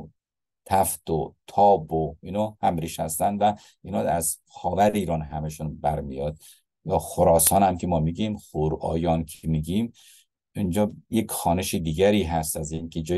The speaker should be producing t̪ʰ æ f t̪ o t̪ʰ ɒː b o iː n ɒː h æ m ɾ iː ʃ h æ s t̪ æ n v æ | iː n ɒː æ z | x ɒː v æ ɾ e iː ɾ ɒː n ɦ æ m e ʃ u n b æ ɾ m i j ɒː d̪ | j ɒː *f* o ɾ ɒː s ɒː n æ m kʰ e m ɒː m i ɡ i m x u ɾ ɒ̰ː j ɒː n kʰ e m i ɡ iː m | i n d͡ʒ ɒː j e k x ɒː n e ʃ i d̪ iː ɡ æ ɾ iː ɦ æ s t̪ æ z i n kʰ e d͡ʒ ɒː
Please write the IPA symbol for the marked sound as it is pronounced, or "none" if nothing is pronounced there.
x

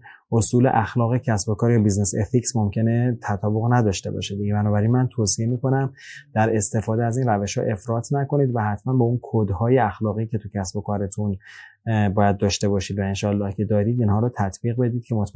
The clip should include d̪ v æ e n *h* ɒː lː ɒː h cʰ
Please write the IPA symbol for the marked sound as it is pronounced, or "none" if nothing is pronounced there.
ʃ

